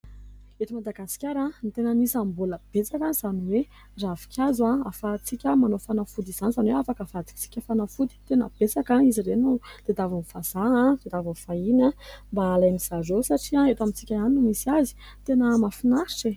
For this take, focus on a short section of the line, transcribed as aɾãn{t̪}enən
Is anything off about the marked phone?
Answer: no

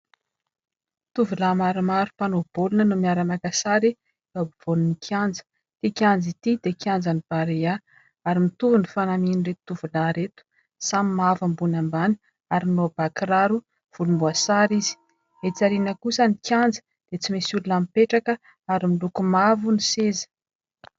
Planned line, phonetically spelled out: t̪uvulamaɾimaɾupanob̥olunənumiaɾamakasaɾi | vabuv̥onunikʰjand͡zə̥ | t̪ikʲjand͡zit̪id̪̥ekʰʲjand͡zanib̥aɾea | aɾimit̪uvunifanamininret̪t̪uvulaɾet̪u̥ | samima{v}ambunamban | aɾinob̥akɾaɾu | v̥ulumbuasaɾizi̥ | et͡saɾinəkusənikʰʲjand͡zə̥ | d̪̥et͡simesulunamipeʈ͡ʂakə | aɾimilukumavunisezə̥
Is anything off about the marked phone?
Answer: no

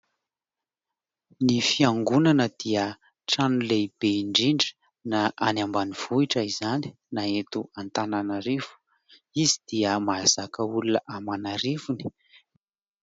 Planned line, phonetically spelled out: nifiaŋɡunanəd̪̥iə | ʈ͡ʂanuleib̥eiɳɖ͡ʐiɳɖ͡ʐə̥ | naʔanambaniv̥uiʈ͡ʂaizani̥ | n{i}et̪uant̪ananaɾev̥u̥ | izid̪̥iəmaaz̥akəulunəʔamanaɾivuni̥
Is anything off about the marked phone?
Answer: yes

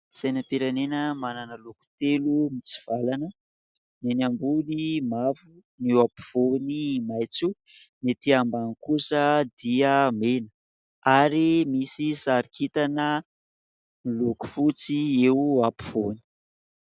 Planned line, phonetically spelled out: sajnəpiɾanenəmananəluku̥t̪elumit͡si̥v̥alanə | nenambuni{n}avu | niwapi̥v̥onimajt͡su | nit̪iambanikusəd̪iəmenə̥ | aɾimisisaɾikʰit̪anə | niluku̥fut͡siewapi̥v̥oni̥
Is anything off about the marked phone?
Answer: yes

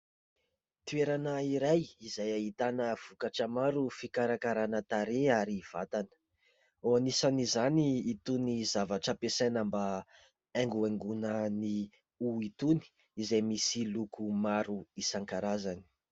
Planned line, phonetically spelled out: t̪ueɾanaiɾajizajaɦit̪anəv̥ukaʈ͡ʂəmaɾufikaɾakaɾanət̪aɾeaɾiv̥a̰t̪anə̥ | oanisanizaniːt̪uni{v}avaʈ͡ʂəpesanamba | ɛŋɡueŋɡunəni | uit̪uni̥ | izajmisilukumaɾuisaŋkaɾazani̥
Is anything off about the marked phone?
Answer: yes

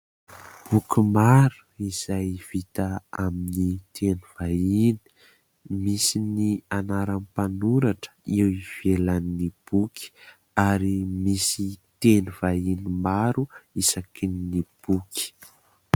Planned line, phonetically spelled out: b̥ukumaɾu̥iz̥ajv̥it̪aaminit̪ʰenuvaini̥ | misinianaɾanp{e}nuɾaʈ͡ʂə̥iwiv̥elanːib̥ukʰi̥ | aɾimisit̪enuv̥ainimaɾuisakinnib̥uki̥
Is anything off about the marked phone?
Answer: yes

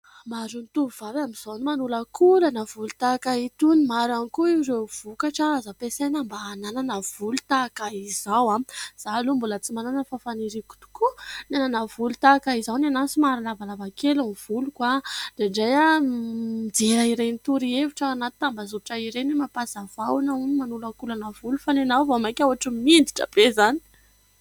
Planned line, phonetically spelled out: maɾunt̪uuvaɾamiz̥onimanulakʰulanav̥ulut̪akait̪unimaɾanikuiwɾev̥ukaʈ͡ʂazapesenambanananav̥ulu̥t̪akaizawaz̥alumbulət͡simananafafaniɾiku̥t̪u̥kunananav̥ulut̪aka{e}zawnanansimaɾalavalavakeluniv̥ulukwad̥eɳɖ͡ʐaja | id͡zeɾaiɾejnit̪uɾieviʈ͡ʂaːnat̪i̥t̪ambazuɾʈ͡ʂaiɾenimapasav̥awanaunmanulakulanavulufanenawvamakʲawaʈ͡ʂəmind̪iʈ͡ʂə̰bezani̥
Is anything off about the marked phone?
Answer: yes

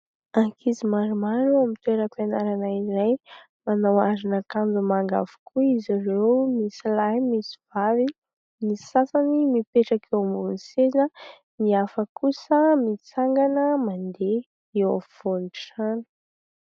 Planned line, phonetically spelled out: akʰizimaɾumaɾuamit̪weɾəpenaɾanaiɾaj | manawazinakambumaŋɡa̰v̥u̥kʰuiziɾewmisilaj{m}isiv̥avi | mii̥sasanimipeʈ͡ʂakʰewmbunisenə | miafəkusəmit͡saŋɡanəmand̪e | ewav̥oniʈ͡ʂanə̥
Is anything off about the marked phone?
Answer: no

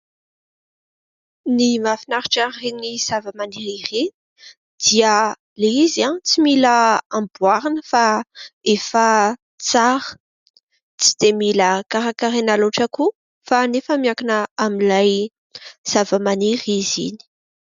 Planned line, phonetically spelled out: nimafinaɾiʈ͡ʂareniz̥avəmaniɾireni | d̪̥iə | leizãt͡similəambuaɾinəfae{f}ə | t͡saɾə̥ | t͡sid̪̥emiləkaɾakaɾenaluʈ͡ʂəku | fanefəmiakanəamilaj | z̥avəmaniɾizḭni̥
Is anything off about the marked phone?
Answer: no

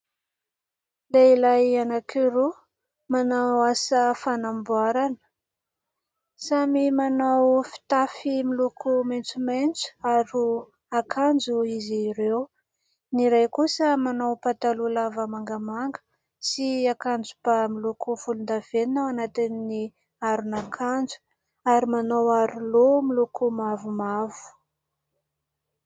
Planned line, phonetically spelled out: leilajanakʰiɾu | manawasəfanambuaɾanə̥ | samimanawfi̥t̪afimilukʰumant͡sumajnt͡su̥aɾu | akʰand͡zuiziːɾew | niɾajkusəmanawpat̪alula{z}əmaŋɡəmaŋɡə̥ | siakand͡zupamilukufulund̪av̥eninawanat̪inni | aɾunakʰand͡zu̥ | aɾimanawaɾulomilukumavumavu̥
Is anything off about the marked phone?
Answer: yes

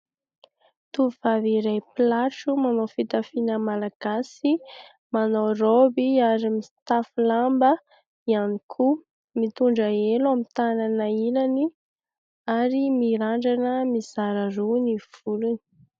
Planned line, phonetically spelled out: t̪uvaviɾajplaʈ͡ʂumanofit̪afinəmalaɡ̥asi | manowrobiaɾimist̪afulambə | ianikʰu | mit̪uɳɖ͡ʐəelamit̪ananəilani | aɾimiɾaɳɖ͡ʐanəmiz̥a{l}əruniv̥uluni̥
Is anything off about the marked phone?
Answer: yes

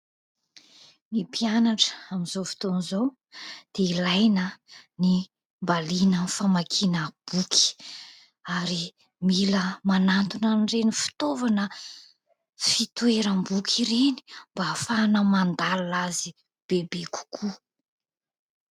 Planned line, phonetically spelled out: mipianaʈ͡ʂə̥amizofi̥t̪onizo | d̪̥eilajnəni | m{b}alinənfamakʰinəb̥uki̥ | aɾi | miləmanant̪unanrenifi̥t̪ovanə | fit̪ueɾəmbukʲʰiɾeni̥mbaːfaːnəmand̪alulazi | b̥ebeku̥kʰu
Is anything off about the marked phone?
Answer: no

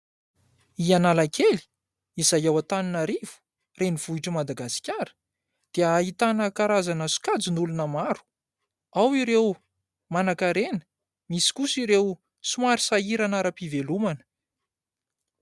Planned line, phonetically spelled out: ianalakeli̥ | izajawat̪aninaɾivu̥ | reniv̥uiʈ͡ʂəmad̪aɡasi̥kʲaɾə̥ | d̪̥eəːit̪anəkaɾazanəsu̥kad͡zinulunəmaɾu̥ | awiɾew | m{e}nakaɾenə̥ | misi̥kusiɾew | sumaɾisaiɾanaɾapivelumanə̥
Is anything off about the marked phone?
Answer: yes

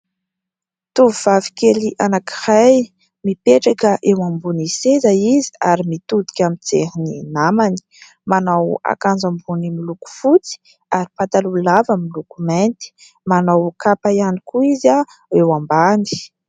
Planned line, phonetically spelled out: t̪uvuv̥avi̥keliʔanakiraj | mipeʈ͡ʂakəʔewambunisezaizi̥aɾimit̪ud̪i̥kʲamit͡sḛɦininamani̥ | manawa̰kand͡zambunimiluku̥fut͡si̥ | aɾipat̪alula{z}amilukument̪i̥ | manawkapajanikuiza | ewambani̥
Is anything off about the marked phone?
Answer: yes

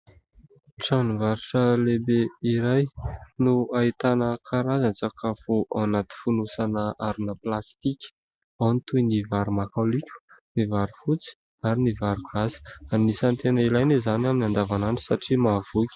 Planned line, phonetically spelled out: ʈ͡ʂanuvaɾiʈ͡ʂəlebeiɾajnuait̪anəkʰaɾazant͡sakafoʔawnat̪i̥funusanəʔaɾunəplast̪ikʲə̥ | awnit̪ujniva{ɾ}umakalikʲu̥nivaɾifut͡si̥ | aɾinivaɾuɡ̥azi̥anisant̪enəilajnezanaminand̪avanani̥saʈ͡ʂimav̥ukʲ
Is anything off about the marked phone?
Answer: no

